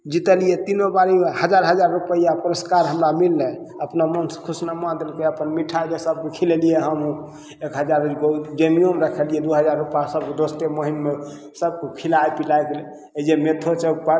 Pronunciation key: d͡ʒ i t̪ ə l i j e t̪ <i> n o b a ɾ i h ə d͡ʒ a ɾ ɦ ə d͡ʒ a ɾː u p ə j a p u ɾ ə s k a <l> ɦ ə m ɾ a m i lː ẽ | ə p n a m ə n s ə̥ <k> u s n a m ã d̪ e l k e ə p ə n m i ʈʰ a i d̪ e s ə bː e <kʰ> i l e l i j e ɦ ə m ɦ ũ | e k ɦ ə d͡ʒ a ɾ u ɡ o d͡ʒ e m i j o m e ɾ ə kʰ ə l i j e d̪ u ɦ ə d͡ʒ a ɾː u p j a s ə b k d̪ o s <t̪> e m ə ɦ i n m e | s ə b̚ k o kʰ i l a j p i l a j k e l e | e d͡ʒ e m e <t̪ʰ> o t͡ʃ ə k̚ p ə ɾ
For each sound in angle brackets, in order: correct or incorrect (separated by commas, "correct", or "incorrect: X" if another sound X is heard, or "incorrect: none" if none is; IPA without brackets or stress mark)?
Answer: correct, incorrect: ɾ, incorrect: kʰ, correct, correct, correct